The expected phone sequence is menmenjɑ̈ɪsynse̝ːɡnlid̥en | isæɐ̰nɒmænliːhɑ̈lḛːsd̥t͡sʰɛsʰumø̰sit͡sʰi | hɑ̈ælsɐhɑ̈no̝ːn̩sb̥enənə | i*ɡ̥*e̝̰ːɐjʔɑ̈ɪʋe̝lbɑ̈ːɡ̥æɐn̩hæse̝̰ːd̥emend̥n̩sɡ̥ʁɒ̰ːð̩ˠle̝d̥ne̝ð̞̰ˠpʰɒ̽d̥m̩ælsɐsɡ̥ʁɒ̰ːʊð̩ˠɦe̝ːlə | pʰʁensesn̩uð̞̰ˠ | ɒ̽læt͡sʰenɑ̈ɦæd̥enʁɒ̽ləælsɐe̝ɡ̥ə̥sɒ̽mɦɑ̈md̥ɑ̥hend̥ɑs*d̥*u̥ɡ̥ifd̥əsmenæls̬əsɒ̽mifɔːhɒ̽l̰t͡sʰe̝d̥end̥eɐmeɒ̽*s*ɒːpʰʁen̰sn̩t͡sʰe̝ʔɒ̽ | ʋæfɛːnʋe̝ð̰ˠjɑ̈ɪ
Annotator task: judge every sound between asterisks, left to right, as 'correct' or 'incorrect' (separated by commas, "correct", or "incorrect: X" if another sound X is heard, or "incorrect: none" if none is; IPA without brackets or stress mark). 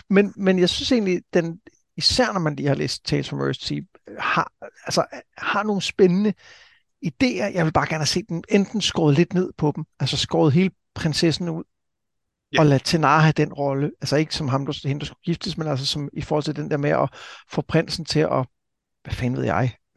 incorrect: d̥, incorrect: ɡ̥, incorrect: f